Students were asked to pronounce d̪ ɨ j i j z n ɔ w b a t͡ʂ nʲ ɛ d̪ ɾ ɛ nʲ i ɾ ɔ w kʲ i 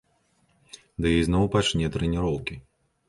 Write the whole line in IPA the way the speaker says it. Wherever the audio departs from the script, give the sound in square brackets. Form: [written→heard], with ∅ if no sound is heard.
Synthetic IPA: d̪ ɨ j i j z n ɔ w [b→p] a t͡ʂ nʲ ɛ [d̪→t̪] ɾ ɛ nʲ i ɾ ɔ w kʲ i